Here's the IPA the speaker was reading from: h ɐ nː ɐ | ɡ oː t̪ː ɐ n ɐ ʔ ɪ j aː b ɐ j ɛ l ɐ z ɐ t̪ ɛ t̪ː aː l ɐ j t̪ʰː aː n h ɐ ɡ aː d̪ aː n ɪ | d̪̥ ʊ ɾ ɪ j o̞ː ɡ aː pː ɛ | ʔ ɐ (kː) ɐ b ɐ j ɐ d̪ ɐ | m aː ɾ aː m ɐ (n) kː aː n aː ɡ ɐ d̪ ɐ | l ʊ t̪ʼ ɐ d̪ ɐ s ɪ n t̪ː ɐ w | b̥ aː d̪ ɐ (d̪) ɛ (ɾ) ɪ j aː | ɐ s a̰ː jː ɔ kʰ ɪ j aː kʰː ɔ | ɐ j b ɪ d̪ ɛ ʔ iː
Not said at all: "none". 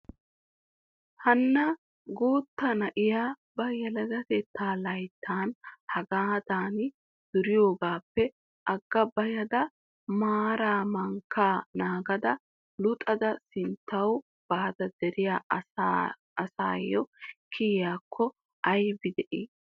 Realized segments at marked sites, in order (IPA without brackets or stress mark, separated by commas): ɡː, ŋ, d̪, ɾ